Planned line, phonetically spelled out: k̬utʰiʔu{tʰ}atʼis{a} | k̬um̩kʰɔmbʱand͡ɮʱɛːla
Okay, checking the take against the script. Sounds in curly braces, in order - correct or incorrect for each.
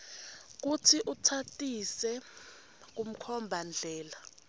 correct, incorrect

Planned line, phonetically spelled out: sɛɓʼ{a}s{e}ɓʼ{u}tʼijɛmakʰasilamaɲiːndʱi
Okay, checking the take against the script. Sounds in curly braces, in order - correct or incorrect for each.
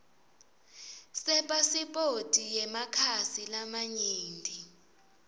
correct, incorrect, incorrect

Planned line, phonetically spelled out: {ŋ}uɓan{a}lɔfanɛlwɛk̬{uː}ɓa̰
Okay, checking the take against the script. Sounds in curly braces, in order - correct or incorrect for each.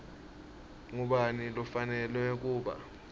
correct, incorrect, correct

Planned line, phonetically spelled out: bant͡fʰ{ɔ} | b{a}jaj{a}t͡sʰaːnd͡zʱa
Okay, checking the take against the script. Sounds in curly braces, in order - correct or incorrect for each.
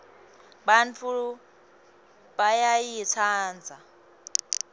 incorrect, correct, incorrect

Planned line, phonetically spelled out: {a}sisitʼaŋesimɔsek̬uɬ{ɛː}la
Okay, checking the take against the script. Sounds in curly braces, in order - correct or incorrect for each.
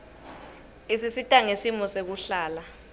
incorrect, incorrect

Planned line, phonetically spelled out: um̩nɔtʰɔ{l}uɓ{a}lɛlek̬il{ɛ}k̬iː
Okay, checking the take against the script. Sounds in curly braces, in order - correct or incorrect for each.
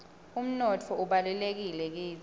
incorrect, correct, correct

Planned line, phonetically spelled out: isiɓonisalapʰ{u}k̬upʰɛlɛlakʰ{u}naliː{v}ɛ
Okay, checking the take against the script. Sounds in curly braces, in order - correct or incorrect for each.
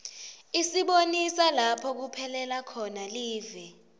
incorrect, incorrect, correct

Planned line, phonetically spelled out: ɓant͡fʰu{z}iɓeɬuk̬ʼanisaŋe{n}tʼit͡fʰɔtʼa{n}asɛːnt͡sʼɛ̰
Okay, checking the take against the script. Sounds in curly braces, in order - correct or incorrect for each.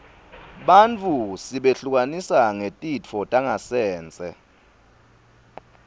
incorrect, incorrect, incorrect

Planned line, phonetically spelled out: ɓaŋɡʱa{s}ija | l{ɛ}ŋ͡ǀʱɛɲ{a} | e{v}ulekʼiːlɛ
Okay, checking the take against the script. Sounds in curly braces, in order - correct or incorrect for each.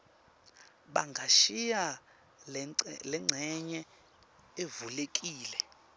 incorrect, correct, incorrect, correct

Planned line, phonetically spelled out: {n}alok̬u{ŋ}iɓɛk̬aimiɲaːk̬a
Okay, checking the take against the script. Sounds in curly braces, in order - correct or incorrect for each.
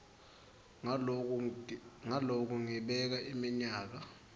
incorrect, correct

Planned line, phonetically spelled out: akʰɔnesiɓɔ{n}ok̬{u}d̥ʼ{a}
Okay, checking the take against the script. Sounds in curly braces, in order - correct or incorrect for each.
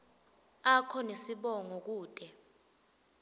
incorrect, incorrect, incorrect

